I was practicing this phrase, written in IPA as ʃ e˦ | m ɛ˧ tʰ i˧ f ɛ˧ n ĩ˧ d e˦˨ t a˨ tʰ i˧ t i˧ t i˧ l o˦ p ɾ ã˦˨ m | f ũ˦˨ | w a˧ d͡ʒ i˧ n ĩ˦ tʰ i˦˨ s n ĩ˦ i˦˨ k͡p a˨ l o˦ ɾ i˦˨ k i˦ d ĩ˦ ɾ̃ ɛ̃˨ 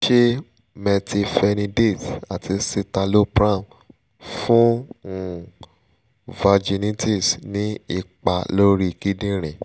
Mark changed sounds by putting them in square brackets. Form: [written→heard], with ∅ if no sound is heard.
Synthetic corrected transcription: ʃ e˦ | m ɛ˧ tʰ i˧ f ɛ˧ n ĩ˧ d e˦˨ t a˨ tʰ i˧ [t→s] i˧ t [i˧→a˧] l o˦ p ɾ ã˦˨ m | f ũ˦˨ | [w→v] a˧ d͡ʒ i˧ n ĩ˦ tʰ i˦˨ s n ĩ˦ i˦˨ k͡p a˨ l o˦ ɾ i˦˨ k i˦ d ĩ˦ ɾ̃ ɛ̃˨